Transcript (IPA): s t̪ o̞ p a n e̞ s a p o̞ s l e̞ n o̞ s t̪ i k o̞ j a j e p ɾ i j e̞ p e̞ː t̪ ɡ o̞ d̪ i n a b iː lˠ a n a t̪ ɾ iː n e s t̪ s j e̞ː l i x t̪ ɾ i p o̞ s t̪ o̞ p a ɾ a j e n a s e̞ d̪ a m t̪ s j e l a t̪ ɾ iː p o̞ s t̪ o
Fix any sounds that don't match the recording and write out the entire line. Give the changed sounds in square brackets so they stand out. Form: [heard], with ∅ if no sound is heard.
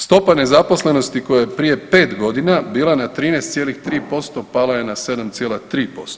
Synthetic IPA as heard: s t̪ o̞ p a n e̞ [z] a p o̞ s l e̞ n o̞ s t̪ i k o̞ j a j e p ɾ i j e̞ p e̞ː t̪ ɡ o̞ d̪ i n a b iː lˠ a n a t̪ ɾ iː n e s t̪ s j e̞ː l i x t̪ ɾ [iː] p o̞ s t̪ o̞ p a [l] a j e n a s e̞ d̪ a m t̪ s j e l a t̪ ɾ iː p o̞ s t̪ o